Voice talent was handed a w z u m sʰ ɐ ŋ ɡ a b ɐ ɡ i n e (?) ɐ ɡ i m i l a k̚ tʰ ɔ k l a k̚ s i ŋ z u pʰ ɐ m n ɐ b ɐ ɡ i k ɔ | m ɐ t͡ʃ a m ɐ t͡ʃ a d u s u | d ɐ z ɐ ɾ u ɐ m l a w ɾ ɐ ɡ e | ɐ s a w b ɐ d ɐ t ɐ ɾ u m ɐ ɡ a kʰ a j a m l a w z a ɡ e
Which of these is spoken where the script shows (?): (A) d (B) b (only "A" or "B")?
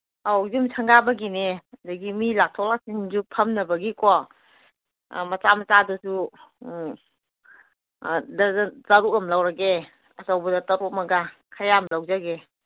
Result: A